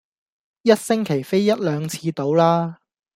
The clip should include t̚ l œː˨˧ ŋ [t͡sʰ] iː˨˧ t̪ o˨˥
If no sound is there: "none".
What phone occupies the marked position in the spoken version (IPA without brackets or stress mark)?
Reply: t͡sʰ